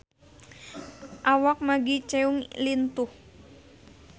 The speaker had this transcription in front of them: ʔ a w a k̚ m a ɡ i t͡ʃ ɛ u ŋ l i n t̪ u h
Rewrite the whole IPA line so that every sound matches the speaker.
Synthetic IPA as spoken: ʔ a w a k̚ m a ɡ i t͡ʃ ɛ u ŋ l i n t̪ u h